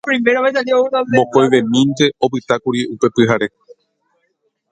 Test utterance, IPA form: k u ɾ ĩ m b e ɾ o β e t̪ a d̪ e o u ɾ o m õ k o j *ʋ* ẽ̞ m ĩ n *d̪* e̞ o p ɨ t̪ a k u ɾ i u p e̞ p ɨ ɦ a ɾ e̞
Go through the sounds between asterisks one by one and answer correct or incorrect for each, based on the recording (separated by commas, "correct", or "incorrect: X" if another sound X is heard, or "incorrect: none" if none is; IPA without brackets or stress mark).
correct, incorrect: t̪